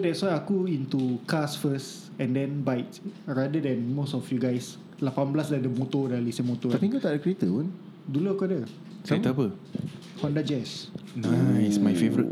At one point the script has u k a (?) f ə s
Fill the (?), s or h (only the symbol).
s